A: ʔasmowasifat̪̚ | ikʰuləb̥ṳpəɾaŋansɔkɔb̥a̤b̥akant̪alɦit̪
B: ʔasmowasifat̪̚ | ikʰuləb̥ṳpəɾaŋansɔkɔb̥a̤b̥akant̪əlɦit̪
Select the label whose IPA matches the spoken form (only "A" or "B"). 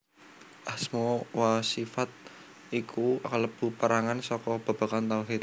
A